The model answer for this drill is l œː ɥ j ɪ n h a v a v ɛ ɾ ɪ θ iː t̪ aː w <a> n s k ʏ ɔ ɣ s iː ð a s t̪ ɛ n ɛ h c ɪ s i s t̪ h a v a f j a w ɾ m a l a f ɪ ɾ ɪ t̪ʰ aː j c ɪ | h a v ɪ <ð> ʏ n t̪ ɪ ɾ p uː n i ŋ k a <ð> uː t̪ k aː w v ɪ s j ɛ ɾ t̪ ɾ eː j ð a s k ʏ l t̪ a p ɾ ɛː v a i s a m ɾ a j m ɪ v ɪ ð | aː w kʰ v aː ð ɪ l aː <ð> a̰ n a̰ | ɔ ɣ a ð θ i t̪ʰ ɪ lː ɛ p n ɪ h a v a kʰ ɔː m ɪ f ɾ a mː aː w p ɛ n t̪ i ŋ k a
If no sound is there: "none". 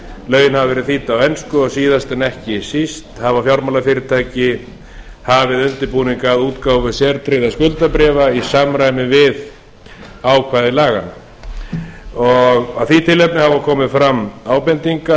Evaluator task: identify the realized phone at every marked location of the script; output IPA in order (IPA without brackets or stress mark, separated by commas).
ɛ, ð, ð, ɣ